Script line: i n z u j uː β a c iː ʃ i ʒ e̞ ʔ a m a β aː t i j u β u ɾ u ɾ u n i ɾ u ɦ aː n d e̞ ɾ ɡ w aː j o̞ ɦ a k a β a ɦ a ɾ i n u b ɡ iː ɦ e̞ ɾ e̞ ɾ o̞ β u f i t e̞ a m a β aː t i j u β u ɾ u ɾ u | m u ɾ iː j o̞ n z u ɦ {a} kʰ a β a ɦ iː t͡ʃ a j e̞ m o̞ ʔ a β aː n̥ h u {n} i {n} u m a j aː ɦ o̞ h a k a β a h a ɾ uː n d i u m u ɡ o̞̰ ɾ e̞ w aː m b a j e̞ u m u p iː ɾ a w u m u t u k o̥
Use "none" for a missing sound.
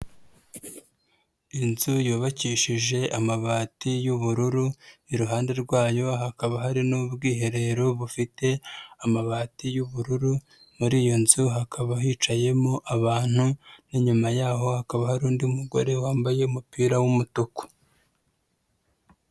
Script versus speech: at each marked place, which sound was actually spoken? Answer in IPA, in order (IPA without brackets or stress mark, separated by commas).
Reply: a, n, ɲ